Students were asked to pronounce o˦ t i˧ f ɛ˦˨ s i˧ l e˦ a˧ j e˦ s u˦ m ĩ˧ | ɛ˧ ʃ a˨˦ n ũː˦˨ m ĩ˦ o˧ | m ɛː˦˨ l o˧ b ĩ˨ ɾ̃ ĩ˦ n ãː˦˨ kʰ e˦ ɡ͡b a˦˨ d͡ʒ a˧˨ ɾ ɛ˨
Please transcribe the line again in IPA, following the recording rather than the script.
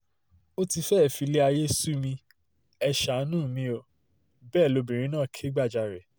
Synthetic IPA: o˦ t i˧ f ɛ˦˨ f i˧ l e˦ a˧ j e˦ s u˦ m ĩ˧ | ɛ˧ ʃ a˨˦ n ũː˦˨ m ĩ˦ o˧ | b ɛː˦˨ l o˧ b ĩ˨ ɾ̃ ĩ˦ n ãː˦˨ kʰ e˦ ɡ͡b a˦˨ d͡ʒ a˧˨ ɾ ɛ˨